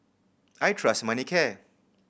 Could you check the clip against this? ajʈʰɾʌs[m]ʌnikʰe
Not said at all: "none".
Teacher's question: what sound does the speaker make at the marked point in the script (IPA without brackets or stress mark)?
m